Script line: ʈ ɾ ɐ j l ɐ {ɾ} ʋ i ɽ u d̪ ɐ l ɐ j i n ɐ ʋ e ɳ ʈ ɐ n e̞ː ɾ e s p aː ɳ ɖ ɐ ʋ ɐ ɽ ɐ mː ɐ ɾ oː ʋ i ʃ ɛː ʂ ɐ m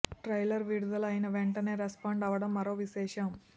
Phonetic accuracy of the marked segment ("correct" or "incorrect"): correct